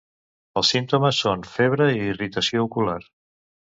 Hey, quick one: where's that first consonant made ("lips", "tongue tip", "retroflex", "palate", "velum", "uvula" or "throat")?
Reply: tongue tip